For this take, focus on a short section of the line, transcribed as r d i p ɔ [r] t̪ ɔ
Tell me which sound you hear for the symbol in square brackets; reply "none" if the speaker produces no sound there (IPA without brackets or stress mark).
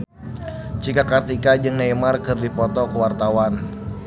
none